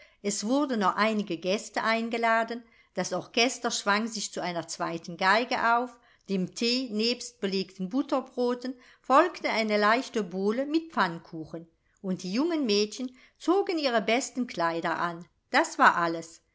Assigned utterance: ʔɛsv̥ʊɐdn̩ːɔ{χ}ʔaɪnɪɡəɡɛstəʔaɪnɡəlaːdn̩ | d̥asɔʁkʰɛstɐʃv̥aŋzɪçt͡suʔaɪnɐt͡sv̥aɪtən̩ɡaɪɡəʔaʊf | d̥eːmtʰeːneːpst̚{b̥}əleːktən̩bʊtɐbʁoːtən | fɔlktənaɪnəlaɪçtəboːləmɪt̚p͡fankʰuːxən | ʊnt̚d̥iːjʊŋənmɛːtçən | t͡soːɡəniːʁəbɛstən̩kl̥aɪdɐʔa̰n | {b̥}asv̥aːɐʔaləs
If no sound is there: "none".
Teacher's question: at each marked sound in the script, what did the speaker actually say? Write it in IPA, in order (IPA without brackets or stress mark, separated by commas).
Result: χ, b̥, d̥